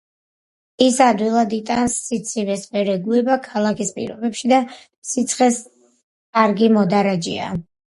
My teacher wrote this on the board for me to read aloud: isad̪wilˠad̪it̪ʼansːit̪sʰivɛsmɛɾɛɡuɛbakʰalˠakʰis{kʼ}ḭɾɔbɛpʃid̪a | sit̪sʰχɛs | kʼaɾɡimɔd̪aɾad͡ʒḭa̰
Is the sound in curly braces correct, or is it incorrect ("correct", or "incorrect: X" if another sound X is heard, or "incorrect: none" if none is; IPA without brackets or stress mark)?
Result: incorrect: pʼ